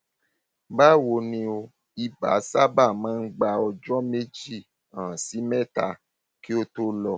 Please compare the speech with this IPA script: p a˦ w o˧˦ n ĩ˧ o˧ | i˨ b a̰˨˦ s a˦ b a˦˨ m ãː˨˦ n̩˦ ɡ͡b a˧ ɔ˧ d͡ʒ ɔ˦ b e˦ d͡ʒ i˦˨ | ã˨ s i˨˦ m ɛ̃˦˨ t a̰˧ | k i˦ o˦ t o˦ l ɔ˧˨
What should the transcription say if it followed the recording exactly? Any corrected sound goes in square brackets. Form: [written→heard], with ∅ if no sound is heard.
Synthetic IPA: [p→b] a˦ w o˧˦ n ĩ˧ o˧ | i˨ b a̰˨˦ s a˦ b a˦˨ m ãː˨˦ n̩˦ ɡ͡b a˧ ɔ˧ d͡ʒ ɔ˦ [b→m] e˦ d͡ʒ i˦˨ | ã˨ s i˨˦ m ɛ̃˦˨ t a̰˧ | k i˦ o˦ t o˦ l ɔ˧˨